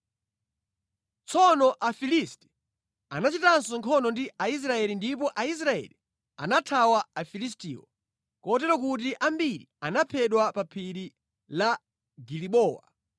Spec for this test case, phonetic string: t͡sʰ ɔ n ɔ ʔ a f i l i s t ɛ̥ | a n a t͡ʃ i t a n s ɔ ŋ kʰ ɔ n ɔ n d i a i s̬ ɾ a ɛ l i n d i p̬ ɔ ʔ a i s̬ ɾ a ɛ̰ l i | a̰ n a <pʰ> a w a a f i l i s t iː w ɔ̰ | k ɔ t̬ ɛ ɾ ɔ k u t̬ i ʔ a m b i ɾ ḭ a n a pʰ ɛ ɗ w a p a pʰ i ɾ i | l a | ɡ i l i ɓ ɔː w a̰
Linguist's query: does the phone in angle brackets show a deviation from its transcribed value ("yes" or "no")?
yes